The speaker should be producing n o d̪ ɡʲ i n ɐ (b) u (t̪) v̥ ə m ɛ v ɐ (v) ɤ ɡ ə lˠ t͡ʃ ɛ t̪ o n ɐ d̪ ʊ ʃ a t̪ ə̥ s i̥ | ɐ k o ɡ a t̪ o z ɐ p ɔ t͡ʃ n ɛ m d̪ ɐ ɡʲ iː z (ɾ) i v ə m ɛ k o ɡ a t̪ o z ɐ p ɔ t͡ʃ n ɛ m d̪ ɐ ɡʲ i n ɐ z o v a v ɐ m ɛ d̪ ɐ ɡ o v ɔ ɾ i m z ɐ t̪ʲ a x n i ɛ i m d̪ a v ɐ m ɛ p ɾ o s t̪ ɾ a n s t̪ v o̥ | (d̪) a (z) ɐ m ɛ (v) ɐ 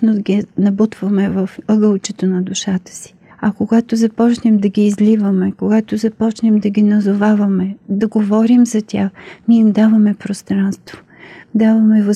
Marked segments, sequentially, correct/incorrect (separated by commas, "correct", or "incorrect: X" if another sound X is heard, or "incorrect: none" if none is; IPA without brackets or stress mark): correct, correct, incorrect: f, incorrect: l, correct, incorrect: v, correct